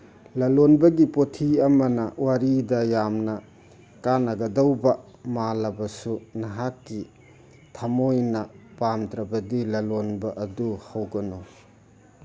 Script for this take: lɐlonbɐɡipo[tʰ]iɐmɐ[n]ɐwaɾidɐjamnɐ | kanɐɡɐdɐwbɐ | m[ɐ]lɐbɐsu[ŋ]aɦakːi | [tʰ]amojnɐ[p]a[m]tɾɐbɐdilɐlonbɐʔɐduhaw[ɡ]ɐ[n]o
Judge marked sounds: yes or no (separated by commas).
yes, yes, no, no, yes, yes, yes, yes, yes